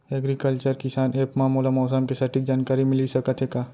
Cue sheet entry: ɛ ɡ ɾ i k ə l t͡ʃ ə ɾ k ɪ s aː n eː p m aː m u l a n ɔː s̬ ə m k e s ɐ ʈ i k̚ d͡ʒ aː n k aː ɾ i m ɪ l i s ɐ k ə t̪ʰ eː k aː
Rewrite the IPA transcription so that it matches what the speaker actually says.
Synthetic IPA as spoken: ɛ ɡ ɾ i k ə l t͡ʃ ə ɾ k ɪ s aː n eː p m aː m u l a m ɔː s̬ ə m k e s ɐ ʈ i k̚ d͡ʒ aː n k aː ɾ i m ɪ l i s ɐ k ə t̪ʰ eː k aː